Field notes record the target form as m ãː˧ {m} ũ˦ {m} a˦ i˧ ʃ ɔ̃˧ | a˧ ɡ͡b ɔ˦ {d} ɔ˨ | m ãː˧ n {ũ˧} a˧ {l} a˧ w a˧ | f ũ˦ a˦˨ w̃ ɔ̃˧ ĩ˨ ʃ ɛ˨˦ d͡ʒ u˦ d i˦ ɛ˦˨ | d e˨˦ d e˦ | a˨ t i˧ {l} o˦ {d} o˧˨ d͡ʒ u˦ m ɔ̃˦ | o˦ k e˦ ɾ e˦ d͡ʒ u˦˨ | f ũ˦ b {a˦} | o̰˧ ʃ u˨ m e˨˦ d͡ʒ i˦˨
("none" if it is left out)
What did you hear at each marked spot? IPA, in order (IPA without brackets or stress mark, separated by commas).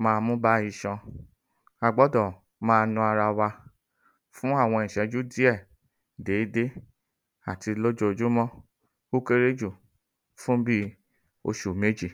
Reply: m, b, d, ũ˧, ɾ, l, d͡ʒ, i˦